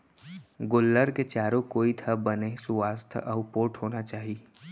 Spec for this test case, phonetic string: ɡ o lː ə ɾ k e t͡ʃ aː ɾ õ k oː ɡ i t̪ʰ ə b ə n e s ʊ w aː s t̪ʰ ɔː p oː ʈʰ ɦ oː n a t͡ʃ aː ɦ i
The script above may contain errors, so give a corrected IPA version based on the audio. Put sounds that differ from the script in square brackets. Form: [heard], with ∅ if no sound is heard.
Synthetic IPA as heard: ɡ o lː ə ɾ k e t͡ʃ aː ɾ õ k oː [∅] i t̪ʰ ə b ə n e s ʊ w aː s t̪ʰ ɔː p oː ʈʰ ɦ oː n a t͡ʃ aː ɦ i